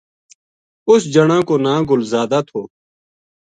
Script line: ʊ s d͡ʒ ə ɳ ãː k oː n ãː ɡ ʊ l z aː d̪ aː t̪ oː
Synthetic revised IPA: ʊ s d͡ʒ ə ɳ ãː k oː n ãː ɡ ʊ l z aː d̪ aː t̪ʰ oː